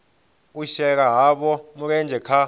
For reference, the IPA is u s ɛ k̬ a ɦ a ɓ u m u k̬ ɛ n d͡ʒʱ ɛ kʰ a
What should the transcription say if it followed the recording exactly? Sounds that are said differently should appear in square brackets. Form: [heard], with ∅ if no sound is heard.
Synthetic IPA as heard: u [ʃ] ɛ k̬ a ɦ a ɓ [ɔ] m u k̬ ɛ n d͡ʒʱ ɛ kʰ a